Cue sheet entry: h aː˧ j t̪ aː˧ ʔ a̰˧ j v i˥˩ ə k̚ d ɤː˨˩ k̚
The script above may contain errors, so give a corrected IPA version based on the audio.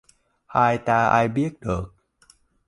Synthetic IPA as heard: h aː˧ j t̪ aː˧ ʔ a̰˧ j b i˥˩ ə k̚ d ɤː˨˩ k̚